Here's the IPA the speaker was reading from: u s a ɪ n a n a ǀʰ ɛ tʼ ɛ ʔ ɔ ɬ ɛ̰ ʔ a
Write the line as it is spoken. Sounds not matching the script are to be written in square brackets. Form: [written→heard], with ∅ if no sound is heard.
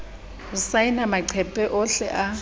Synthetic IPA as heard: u s a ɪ n a [n→m] a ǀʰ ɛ [tʼ→pʼ] ɛ ʔ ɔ ɬ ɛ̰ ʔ a